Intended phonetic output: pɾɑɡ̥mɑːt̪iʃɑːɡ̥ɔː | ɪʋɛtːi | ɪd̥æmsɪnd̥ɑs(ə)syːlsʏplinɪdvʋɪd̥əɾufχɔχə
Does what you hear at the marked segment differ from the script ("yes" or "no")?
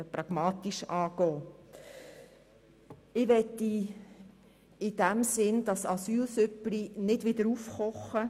yes